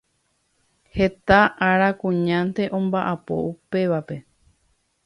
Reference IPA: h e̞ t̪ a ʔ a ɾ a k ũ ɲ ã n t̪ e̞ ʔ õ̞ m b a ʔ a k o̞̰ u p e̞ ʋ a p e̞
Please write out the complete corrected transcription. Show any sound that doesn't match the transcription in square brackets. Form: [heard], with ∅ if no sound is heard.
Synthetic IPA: h e̞ t̪ a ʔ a ɾ a k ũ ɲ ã n t̪ e̞ ʔ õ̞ m b a ʔ a [p] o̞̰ u p e̞ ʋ a p e̞

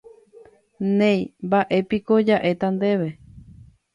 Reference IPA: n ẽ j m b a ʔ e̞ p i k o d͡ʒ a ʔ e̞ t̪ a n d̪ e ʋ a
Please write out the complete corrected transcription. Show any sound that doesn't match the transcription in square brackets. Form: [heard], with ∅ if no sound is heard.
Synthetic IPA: n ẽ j m b a ʔ e̞ p i k o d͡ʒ a ʔ e̞ t̪ a n d̪ e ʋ [e]

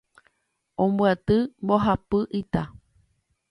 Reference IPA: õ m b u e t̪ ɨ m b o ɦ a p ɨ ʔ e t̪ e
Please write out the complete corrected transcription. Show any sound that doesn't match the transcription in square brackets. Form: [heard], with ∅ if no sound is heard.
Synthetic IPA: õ m b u [a] t̪ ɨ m b o ɦ a p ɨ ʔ [i] t̪ [a]

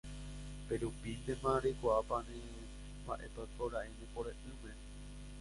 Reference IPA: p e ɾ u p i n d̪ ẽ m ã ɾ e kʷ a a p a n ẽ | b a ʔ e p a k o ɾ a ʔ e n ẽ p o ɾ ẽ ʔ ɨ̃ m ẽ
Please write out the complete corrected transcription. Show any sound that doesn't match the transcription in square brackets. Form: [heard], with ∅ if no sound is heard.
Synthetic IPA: p e ɾ u p i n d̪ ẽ m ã ɾ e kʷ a a p a n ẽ | b a ʔ e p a k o ɾ a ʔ e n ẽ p o ɾ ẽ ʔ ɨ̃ m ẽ

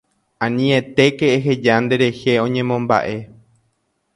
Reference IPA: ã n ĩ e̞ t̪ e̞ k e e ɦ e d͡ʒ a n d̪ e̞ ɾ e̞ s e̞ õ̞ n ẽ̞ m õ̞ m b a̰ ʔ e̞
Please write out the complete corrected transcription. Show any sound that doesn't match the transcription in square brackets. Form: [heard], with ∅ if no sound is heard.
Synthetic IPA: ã n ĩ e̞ t̪ e̞ k e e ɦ e d͡ʒ a n d̪ e̞ ɾ e̞ [h] e̞ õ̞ [ɲ] ẽ̞ m õ̞ m b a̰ ʔ e̞

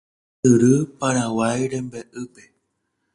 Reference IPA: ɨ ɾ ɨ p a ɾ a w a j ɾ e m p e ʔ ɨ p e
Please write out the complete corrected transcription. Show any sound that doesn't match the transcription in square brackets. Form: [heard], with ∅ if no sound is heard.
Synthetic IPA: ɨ ɾ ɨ p a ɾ a w a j ɾ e m [b] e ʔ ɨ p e

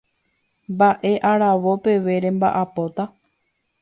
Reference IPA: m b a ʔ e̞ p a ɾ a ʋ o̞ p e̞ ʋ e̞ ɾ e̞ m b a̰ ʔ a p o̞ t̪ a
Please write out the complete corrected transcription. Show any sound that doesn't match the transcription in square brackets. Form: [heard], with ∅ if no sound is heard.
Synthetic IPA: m b a ʔ e̞ [ʔ] a ɾ a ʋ o̞ p e̞ ʋ e̞ ɾ e̞ m b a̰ ʔ a p o̞ t̪ a

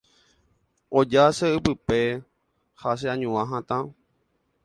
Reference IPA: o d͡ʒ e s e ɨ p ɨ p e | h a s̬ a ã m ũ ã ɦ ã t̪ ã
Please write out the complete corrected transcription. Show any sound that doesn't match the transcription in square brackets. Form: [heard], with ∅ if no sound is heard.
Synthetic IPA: o d͡ʒ [a] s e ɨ p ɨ p e | h a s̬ [e] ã [ɲ] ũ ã ɦ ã t̪ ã

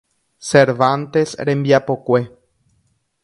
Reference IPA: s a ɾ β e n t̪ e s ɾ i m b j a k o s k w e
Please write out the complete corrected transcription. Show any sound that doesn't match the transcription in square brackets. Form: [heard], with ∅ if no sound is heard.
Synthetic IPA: s [e] ɾ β [a] n t̪ e s ɾ [e] m b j a [p] o [∅] k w e

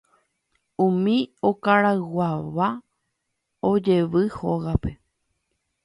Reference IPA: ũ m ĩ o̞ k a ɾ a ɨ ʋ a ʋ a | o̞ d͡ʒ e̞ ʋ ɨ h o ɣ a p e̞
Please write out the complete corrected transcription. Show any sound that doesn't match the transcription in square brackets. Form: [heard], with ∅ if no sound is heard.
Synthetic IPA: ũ m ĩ o̞ k a ɾ a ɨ [w] a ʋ a | o̞ d͡ʒ e̞ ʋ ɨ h o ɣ a p e̞

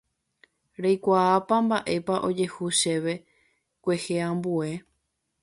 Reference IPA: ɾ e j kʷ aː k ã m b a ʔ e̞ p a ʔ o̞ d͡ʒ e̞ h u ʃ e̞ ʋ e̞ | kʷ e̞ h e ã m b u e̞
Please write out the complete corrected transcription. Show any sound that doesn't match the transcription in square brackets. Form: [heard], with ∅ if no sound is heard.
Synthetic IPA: ɾ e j kʷ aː [p] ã m b a ʔ e̞ p a ʔ o̞ d͡ʒ e̞ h u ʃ e̞ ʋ e̞ | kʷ e̞ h e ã m b u e̞

